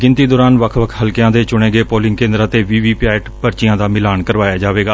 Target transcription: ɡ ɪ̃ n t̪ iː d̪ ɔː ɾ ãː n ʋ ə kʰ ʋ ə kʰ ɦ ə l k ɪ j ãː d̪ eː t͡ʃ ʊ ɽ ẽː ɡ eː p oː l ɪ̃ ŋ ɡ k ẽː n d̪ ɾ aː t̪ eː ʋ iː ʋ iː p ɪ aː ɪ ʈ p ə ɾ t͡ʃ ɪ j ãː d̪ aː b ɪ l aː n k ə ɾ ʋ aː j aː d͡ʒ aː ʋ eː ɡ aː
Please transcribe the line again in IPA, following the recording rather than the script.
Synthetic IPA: ɡ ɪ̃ n t̪ iː d̪ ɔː ɾ aː n ʋ ə kʰ ʋ ə kʰ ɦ ə l k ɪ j ãː d̪ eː t͡ʃ ʊ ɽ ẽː ɡ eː p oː l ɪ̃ ŋ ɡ k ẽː n d̪ ɾ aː t̪ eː ʋ iː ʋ iː p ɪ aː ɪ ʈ p ə ɾ t͡ʃ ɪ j ãː d̪ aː m ɪ l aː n k ə ɾ ʋ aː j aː d͡ʒ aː ʋ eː ɡ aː

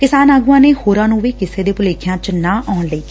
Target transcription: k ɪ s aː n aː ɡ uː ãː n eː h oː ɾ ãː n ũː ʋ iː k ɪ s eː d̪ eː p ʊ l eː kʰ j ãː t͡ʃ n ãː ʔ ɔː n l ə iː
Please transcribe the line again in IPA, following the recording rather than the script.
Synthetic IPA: k ɪ s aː n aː ɡ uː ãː n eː h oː ɾ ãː n ũː ʋ iː k ɪ s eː d̪ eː p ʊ l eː kʰ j ãː t͡ʃ n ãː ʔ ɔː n l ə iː

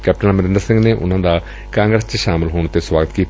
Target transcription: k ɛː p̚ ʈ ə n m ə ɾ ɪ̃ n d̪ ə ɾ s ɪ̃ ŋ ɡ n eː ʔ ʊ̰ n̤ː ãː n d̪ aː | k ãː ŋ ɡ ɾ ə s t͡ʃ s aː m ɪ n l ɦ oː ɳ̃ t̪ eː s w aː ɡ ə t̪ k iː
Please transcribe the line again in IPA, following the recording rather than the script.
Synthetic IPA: k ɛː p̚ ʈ ə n m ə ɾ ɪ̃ n d̪ ə ɾ s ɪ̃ ŋ ɡ n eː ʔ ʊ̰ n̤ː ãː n d̪ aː | k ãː ŋ ɡ ɾ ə s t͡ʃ ʃ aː m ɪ l ɦ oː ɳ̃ t̪ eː s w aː ɡ ə t̪ k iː

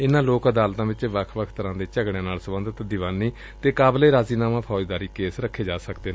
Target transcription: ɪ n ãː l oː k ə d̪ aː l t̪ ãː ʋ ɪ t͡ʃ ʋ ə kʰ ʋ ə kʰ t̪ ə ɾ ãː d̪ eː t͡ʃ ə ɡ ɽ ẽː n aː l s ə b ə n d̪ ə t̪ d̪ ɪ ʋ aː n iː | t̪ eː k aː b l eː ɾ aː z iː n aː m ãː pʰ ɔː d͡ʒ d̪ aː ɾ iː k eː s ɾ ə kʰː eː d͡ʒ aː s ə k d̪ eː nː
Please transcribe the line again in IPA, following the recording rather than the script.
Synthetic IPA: ɪ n ãː l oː k ə d̪ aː l t̪ ãː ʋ ɪ t͡ʃ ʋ ə kʰ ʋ ə kʰ t̪ ə ɾ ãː d̪ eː t͡ʃ ə ɡ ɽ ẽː n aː l s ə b ə n d̪ ə t̪ d̪ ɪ ʋ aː n iː | t̪ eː k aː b l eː ɾ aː z iː n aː m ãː pʰ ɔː d͡ʒ d̪ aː ɾ iː k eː s ɾ ə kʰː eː d͡ʒ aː s ə k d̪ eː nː

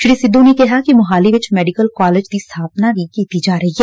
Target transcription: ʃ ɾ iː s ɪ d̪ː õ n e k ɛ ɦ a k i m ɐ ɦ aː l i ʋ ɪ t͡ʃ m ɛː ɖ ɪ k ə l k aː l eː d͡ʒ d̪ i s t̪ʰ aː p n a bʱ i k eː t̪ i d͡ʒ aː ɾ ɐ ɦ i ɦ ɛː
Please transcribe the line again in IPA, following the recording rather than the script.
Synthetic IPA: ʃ ɾ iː s ɪ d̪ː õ n e k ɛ ɦ a k i m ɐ ɦ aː l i ʋ ɪ t͡ʃ m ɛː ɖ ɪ k ə l k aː l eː d͡ʒ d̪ i s t̪ʰ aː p n a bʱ i k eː t̪ i d͡ʒ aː ɾ ɐ ɦ i ɦ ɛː

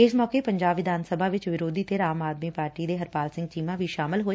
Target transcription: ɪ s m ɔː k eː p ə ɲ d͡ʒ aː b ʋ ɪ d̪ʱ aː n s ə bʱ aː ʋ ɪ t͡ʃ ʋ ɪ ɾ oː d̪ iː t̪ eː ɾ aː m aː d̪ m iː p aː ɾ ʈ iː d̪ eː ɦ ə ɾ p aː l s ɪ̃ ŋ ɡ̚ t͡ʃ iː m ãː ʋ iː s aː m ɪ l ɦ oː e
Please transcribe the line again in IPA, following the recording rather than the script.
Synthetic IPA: ɪ s m ɔː k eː p ə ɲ d͡ʒ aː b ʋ ɪ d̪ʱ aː n s ə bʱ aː ʋ ɪ t͡ʃ ʋ ɪ ɾ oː d̪ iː t̪ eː ɾ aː m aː d̪ m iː p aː ɾ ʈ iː d̪ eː ɦ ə ɾ p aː l s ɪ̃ ŋ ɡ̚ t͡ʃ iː m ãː ʋ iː ʃ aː m ɪ l ɦ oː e

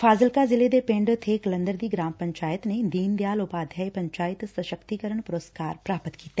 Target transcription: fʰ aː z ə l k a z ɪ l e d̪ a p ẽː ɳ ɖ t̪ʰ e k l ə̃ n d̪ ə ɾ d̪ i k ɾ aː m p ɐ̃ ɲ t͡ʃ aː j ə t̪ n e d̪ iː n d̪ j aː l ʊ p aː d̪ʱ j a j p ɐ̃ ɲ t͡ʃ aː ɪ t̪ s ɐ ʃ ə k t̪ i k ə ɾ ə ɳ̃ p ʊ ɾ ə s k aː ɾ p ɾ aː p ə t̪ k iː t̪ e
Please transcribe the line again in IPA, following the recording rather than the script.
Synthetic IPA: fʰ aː z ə l k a z ɪ l e d̪ e p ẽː ɳ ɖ t̪ʰ e k l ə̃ n d̪ ə ɾ d̪ i ɡ ɾ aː m p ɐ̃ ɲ t͡ʃ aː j ə t̪ n e d̪ iː n d̪ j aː l ʊ p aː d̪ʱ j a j p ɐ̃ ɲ t͡ʃ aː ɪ t̪ s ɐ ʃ ə k t̪ i k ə ɾ ə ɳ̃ p ʊ ɾ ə s k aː ɾ p ɾ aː p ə t̪ k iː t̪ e

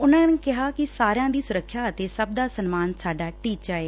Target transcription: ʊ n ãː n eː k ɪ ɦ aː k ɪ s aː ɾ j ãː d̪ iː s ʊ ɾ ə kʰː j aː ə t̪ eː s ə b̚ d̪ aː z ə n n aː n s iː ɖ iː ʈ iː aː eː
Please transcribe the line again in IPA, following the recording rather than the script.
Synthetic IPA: ʊ n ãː n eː k ɪ ɦ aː k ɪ s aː ɾ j ãː d̪ iː s ʊ ɾ ə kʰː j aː ə t̪ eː s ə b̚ d̪ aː s ə n m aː n s aː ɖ aː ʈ iː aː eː

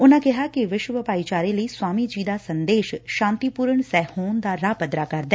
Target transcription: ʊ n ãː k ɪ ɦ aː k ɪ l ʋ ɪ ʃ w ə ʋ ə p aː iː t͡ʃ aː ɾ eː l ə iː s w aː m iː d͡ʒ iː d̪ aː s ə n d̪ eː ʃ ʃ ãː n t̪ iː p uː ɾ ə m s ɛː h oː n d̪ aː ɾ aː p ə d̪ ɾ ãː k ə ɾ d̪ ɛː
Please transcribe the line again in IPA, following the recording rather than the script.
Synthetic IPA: ʊ n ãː k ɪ ɦ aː k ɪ ʋ ɪ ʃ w ə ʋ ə p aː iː t͡ʃ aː ɾ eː l ə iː s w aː m iː d͡ʒ iː d̪ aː s ə n d̪ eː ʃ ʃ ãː n t̪ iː p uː ɾ ə ɳ s ɛː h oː n d̪ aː ɾ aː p ə d̪ ɾ aː k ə ɾ d̪ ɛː

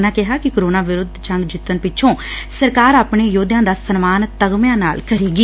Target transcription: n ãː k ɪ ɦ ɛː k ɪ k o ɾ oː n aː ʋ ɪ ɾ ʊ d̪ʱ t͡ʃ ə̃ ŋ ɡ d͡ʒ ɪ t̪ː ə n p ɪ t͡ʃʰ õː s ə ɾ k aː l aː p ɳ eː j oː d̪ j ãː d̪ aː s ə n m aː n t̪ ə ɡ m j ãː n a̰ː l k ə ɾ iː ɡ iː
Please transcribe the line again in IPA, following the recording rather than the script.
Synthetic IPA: n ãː k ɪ ɦ aː k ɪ k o ɾ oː n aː ʋ ɪ ɾ ʊ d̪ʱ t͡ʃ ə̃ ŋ ɡ d͡ʒ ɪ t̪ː ə n p ɪ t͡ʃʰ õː s ə ɾ k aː ɾ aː p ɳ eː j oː d̪ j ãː d̪ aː s ə n m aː n t̪ ə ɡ m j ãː n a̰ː l k ə ɾ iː ɡ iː

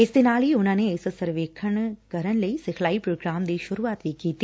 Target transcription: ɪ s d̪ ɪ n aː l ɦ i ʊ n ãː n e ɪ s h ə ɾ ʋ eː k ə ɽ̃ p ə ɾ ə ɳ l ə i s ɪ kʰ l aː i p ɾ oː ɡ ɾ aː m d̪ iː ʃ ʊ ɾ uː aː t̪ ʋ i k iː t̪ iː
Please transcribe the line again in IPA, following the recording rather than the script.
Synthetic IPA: ɪ s d̪ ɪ n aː l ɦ i ʊ n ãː n e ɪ s s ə ɾ ʋ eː kʰ ə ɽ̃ k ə ɾ ə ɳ l ə i s ɪ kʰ l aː i p ɾ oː ɡ ɾ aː m d̪ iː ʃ ʊ ɾ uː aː t̪ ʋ i k iː t̪ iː

